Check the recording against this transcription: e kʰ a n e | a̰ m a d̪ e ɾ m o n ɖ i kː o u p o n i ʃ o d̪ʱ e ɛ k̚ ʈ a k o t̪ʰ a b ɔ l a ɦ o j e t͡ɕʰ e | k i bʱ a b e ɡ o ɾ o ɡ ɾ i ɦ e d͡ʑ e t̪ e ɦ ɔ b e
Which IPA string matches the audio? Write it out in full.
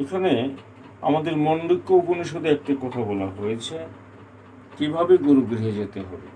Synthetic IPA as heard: e kʰ a n e | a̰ m a d̪ e ɾ m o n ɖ i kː o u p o n i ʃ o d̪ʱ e ɛ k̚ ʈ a k ɔ t̪ʰ a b ɔ l a ɦ o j e t͡ɕʰ e | k i bʱ a b e ɡ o ɾ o ɡ ɾ i ɦ e d͡ʑ e t̪ e ɦ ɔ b e